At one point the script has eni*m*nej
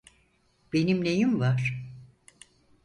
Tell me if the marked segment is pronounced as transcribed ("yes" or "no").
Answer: yes